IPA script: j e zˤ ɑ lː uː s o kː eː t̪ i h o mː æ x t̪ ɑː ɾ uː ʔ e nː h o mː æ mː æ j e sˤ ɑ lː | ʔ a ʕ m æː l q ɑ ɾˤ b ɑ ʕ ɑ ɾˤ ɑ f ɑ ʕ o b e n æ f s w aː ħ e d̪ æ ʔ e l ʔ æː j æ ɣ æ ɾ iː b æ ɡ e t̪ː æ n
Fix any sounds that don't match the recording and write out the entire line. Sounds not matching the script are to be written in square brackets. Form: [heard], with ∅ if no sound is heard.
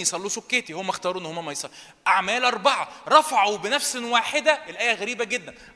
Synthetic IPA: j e [sˤ] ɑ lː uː s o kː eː t̪ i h o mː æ x t̪ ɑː ɾ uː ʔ e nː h o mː æ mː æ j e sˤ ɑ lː | ʔ a ʕ m æː l [ʔ] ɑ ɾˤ b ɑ ʕ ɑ ɾˤ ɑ f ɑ ʕ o b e n æ f s w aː ħ e d̪ æ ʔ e l ʔ æː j æ ɣ æ ɾ iː b æ ɡ e [d̪ː] æ n